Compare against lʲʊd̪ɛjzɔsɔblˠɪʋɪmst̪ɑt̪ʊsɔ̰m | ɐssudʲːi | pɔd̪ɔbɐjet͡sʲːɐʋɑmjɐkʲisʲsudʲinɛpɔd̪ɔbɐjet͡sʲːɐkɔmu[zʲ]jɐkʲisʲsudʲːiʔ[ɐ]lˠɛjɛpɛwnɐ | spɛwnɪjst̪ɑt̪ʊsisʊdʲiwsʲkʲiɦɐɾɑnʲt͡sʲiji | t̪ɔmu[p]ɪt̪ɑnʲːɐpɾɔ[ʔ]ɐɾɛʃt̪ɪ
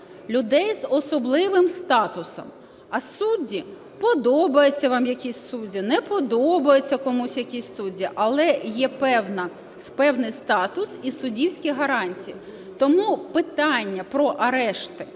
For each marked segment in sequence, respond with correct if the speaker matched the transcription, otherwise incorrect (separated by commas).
incorrect, correct, correct, correct